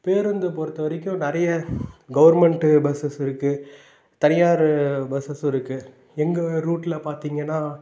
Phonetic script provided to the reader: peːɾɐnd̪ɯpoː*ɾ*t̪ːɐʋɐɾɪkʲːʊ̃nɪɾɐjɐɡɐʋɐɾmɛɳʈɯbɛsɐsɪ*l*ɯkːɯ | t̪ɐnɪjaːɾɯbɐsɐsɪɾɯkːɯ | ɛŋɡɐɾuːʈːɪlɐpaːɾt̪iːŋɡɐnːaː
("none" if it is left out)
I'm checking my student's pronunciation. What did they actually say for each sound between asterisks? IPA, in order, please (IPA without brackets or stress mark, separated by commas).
ɾ, ɾ